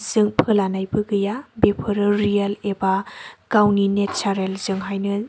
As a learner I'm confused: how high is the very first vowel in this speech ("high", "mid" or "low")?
high